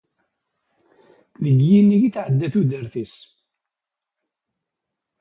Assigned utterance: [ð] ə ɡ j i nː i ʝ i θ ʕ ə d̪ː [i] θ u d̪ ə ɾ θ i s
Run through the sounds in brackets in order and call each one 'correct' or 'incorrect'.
correct, incorrect: æ

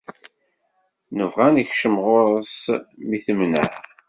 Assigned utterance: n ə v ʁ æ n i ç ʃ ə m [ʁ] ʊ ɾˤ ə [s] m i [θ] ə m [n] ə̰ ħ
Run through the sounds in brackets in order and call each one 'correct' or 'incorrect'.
correct, correct, correct, correct

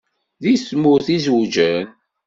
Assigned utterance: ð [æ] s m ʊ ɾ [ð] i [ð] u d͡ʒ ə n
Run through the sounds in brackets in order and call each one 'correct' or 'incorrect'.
incorrect: i, incorrect: θ, incorrect: z

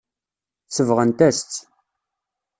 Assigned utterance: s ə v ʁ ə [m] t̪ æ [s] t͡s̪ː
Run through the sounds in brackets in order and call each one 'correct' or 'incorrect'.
incorrect: n, correct

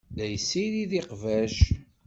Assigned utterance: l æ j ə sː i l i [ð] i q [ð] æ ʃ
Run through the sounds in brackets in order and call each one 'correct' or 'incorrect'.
correct, incorrect: v

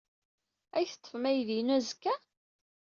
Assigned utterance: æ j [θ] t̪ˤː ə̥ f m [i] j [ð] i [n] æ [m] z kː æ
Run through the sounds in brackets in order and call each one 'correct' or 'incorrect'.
correct, incorrect: æ, correct, correct, incorrect: none

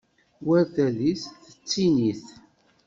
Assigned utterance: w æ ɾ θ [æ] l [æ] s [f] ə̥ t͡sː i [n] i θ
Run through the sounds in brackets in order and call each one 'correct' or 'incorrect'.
correct, incorrect: i, incorrect: θ, correct

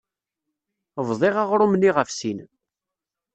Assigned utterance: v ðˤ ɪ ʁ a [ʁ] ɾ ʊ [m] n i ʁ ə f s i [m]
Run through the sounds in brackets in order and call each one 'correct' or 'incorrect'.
correct, correct, incorrect: n

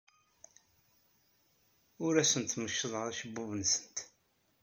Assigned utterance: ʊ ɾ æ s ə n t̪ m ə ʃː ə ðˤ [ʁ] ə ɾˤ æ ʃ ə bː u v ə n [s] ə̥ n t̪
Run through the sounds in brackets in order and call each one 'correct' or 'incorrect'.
correct, correct

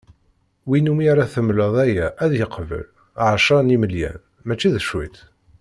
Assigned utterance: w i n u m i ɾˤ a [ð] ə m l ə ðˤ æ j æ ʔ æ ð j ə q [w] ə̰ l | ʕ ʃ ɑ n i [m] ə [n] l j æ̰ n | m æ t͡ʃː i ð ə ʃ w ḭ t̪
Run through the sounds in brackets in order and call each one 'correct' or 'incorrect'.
incorrect: θ, incorrect: v, correct, incorrect: none

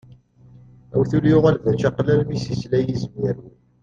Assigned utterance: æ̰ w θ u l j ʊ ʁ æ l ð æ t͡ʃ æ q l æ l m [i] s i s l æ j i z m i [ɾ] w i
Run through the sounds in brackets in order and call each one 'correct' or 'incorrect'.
correct, correct

